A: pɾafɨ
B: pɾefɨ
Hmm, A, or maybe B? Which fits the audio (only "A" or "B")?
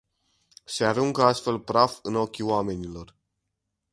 A